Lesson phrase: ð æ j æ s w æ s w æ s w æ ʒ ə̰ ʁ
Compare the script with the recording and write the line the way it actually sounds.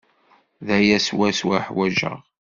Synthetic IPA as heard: ð æ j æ s w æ s w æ ħ w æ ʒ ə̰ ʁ